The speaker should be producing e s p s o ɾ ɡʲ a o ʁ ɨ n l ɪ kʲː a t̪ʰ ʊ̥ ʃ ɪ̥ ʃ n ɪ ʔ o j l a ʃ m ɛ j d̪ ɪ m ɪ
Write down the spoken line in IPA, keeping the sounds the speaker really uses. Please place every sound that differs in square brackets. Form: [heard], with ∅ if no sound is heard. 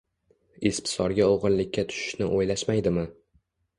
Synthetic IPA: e s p s [ɒ] ɾ ɡʲ a o ʁ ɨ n l ɪ kʲː a t̪ʰ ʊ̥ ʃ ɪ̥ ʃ n ɪ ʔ o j l a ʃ m [a] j d̪ ɪ m ɪ